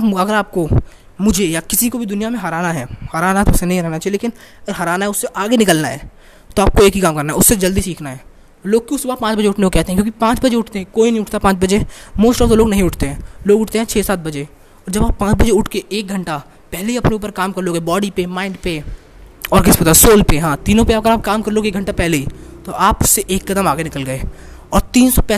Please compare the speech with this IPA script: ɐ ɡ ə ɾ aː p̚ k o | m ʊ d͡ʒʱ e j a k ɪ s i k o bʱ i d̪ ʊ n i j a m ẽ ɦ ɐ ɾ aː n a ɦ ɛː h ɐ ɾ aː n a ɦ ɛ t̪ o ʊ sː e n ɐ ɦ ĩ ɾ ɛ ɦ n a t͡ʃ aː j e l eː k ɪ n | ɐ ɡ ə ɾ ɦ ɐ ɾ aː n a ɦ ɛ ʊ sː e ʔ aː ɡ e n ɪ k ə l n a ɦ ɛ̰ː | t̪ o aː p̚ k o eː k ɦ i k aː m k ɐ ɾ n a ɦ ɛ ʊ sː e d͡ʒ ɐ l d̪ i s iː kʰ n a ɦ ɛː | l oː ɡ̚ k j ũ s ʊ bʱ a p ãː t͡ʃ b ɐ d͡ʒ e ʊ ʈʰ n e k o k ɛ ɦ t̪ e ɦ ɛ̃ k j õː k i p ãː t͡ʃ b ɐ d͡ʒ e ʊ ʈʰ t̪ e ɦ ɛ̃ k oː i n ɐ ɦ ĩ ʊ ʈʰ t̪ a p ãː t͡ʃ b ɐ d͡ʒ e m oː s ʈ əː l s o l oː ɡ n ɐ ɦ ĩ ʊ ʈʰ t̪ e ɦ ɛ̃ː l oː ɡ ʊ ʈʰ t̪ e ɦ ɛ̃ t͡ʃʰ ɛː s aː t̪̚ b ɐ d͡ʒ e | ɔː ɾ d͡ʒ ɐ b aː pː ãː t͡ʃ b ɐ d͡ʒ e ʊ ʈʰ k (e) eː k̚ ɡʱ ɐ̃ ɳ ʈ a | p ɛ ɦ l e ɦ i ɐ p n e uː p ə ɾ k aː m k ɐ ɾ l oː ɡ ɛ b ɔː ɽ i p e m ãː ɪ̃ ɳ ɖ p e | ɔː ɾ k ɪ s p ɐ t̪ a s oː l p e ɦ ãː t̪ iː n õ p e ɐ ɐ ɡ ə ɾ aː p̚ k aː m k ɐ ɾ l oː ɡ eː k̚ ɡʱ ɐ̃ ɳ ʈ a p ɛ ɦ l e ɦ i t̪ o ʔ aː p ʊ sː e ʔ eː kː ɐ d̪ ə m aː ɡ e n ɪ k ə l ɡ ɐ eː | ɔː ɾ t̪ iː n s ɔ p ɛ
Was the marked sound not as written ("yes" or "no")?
no